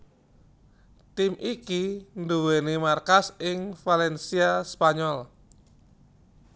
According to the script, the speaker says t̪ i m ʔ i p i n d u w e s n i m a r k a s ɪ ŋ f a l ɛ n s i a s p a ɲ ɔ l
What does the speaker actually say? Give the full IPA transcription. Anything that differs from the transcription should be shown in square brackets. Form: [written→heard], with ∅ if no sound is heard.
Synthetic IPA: t̪ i m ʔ i [p→k] i n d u w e [s→∅] n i m a r k a s ɪ ŋ f a l ɛ n s i a s p a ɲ ɔ l